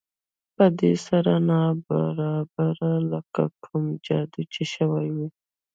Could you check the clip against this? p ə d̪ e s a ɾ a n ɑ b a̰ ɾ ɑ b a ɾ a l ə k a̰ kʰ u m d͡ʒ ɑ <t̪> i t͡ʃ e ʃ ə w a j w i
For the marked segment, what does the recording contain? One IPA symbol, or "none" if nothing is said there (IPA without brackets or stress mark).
d̪